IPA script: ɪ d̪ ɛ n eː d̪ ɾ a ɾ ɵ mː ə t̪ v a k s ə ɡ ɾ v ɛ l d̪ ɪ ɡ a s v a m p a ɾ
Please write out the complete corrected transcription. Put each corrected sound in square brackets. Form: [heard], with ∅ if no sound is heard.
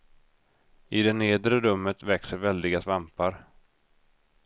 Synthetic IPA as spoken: ɪ d̪ ɛ n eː d̪ ɾ [ə] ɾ ɵ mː ə t̪ v [ɛ] k s ə [∅] ɾ v ɛ l d̪ ɪ ɡ a s v a m p a ɾ